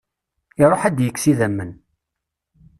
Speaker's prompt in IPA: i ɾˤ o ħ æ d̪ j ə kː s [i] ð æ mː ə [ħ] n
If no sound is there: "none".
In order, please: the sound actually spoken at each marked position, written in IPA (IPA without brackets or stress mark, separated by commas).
i, none